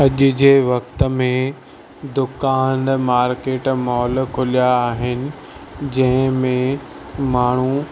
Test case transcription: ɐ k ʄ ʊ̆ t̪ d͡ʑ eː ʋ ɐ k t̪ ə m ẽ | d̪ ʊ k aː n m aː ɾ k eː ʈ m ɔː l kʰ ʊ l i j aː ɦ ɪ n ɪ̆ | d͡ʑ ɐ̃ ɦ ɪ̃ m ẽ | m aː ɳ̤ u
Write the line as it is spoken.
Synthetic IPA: ɐ ʄ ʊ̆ d͡ʑ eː ʋ ɐ k t̪ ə m ẽ | d̪ ʊ k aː n m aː ɾ k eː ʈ m ɔː l kʰ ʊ l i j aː ɦ ɪ n ɪ̆ | d͡ʑ ɐ̃ ɦ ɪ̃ m ẽ | m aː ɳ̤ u